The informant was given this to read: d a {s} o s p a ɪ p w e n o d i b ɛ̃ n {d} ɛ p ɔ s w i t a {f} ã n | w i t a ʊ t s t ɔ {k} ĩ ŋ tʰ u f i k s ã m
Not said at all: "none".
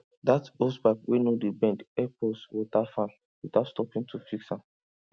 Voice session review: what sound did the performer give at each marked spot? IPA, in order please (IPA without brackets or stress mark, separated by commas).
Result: t, d, f, p